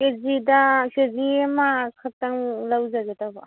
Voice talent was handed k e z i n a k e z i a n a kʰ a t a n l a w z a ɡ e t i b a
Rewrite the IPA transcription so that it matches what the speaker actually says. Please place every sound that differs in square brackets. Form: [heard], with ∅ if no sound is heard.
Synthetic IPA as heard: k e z i [d] a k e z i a [m] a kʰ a t a [ŋ] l a w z a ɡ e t [a] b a

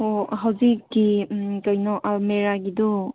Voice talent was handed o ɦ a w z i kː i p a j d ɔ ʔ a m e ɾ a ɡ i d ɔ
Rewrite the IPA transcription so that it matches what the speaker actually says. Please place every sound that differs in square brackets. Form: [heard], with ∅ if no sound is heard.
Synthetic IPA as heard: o ɦ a w z i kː i [k] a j [n] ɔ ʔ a m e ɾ a ɡ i d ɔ

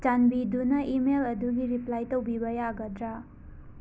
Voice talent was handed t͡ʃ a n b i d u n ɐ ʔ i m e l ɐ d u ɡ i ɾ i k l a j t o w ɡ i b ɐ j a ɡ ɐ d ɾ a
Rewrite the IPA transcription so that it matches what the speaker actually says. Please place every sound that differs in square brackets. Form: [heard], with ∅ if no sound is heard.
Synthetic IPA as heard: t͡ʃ a n b i d u n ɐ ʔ i m e l ɐ d u ɡ i ɾ i [p] l a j t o w [b] i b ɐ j a ɡ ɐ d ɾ a

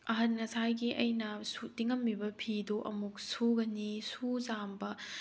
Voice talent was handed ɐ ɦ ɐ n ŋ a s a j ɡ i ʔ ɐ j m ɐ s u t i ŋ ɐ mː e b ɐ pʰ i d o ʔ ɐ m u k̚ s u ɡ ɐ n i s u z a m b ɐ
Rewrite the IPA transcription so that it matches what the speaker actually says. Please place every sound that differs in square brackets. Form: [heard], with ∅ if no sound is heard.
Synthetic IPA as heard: ɐ ɦ ɐ n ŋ [ɐ] s a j ɡ i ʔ ɐ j [n] ɐ s u t i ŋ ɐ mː [i] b ɐ pʰ i d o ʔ ɐ m u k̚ s u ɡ ɐ n i s u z a m b ɐ

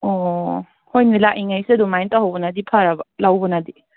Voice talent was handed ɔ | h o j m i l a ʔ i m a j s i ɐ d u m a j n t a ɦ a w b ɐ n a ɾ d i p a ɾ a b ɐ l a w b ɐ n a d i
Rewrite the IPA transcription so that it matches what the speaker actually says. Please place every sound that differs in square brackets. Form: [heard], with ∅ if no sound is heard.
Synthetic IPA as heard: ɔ | h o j [n] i l a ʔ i [ŋ] a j s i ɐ d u m a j n t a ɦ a w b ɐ n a [∅] d i [pʰ] a ɾ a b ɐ l a w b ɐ n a d i

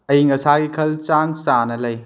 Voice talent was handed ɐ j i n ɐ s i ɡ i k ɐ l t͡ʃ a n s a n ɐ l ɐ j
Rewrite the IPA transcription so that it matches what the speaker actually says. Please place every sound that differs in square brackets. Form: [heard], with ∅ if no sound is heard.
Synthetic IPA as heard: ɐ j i [ŋ] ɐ s [a] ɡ i [kʰ] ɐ l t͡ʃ a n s a n ɐ l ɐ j

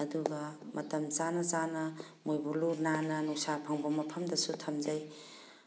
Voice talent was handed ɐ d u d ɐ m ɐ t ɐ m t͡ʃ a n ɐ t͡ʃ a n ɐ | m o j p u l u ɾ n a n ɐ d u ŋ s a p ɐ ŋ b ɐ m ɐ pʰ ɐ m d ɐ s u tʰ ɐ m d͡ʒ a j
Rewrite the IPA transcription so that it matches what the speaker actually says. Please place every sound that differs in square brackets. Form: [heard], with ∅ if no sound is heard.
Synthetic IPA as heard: ɐ d u [ɡ] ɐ m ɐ t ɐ m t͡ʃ a n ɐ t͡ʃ a n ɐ | m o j [b] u l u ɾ n a n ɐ [n] u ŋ s a [pʰ] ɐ ŋ b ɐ m ɐ pʰ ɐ m d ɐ s u tʰ ɐ m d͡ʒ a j

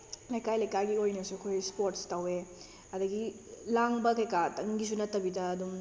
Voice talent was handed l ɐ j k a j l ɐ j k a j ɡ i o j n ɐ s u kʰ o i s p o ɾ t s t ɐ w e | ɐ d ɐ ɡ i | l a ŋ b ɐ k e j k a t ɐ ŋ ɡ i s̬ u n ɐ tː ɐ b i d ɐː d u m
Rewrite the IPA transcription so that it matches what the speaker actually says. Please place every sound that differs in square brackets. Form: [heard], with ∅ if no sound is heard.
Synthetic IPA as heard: l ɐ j k a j l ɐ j k a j ɡ i o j n ɐ s u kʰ o [j] s p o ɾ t s t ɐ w e | ɐ d ɐ ɡ i | l a ŋ b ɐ k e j k a t ɐ ŋ ɡ i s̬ u n ɐ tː ɐ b i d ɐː d u m

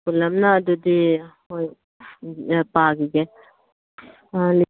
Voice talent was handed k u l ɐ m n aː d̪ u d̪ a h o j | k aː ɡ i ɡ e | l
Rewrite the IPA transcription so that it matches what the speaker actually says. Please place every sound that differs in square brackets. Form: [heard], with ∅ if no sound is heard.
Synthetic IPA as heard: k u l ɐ m n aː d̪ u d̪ [i] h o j | [p] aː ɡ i ɡ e | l

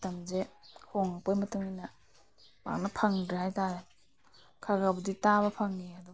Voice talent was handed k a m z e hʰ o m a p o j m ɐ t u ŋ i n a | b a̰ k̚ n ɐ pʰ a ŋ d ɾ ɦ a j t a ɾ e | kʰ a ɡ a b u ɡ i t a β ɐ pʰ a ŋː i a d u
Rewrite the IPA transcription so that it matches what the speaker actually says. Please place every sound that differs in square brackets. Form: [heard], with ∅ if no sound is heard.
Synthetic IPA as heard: [t] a m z e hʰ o [ŋ] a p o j m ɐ t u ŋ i n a | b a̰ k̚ n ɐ pʰ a ŋ d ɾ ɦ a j t a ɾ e | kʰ a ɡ a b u [d] i t a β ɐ pʰ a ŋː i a d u

